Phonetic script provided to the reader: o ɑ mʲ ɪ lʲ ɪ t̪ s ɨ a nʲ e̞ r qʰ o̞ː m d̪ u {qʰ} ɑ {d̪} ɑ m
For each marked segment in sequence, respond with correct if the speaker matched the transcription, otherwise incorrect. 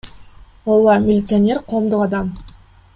incorrect, correct

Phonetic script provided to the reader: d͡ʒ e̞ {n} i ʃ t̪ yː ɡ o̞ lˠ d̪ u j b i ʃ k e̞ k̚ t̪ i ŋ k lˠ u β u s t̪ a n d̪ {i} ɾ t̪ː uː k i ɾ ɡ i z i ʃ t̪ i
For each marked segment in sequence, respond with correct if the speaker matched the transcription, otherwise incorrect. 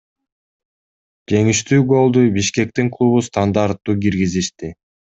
incorrect, incorrect

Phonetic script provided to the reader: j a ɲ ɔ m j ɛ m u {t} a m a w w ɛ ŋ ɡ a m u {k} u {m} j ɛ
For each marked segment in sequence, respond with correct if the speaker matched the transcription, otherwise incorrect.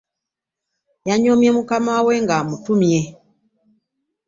incorrect, incorrect, correct

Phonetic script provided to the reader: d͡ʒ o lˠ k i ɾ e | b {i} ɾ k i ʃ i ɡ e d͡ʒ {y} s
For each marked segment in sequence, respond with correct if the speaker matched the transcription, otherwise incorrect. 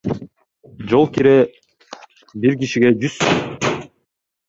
correct, correct

